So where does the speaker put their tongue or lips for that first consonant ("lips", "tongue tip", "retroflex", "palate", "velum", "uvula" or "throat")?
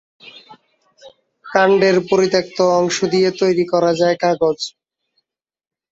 velum